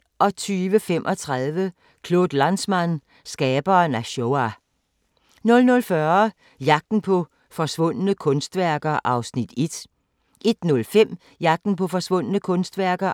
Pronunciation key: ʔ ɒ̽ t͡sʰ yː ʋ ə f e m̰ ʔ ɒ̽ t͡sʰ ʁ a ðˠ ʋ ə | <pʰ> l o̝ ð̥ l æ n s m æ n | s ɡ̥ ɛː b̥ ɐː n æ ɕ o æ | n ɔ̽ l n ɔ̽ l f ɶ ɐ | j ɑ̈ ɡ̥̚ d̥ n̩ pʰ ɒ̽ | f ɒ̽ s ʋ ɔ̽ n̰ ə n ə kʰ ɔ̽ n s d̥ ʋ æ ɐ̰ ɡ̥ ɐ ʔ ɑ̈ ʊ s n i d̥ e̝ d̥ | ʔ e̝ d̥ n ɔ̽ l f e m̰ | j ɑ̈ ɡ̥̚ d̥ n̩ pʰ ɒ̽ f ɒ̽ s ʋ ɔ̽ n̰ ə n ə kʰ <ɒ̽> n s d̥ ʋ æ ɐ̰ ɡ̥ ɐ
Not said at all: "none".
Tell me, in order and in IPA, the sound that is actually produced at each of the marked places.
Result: kʰ, ɔ̽

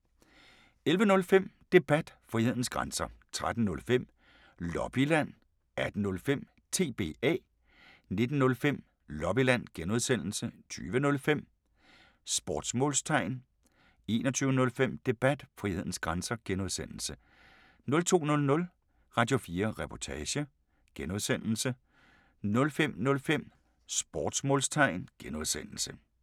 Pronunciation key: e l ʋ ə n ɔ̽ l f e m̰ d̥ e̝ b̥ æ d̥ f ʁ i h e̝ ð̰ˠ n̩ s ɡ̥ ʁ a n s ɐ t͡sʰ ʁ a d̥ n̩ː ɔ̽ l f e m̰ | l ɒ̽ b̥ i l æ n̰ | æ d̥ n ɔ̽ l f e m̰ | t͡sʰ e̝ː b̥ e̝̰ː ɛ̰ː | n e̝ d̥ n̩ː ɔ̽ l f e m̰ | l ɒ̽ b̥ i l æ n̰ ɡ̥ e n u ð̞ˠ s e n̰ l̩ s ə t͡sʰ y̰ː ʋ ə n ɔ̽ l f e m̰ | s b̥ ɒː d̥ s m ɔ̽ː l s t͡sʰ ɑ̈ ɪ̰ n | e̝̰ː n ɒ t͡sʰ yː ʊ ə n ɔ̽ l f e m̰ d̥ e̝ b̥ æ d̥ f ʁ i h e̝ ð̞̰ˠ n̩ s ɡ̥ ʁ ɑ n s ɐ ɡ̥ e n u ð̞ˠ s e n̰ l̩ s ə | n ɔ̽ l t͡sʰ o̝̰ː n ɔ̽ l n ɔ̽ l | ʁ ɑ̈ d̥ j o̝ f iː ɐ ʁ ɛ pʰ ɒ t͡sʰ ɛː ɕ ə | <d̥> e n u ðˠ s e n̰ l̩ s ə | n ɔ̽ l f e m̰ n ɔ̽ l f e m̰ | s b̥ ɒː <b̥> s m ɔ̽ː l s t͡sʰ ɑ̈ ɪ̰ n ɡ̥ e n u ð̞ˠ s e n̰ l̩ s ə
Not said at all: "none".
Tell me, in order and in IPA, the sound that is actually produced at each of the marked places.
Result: ɡ̥, d̥

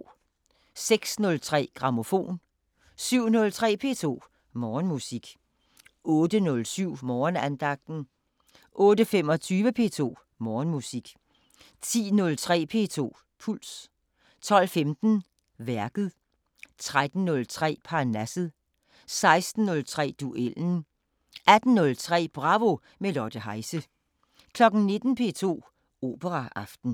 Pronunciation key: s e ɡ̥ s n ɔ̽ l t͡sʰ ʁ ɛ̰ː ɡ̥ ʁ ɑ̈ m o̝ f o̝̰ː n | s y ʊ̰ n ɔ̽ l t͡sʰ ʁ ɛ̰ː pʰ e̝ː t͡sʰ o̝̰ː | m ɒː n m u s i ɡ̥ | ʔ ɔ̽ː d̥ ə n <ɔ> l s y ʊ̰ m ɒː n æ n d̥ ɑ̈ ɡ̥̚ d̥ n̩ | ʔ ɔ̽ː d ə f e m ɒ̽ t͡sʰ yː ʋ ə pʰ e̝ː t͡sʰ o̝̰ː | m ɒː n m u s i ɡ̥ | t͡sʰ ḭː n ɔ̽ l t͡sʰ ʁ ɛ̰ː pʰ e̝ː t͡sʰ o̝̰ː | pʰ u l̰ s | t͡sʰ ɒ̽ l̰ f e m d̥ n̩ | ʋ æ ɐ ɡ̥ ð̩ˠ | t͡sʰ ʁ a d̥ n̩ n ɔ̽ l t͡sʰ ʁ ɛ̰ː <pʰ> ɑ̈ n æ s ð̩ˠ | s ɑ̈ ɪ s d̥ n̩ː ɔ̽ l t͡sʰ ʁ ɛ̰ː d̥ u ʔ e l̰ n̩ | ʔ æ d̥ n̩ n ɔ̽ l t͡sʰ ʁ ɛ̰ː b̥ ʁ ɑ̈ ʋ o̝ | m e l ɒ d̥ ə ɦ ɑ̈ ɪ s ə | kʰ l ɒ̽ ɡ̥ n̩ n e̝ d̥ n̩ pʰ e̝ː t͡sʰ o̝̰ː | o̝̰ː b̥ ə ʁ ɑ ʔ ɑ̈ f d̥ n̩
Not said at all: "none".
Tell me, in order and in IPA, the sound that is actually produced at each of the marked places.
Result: ɔ, pʰ

